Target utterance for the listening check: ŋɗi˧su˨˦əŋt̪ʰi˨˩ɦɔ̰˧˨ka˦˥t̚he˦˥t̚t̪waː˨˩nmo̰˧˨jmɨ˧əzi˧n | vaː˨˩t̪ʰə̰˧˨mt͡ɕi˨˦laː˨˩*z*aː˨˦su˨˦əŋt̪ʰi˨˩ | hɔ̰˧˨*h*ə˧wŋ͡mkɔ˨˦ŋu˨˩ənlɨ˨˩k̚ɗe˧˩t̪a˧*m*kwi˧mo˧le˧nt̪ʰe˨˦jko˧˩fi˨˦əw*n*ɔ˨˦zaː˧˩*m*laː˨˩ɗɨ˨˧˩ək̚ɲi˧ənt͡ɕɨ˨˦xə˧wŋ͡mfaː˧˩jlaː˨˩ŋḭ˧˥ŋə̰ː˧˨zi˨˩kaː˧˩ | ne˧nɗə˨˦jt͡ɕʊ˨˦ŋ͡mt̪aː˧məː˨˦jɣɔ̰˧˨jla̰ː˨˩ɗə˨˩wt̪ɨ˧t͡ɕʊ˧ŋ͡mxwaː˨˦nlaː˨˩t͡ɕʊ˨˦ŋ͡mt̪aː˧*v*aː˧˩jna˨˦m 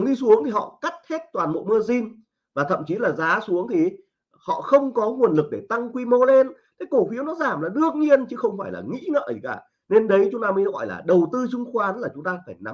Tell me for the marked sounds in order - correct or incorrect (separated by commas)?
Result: correct, incorrect, incorrect, correct, correct, incorrect